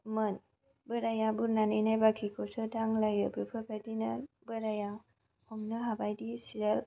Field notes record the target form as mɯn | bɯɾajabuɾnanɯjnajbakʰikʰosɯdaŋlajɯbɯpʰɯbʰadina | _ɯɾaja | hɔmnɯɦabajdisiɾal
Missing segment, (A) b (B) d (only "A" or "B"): A